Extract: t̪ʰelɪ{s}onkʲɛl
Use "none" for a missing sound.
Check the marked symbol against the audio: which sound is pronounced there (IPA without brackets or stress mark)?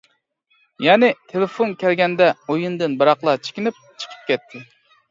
f